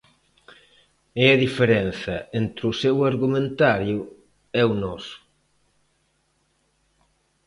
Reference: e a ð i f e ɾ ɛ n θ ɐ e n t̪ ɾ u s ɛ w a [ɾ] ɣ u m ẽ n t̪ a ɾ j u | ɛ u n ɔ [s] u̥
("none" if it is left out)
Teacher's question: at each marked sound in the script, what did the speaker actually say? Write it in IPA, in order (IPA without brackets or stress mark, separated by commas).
ɾ, s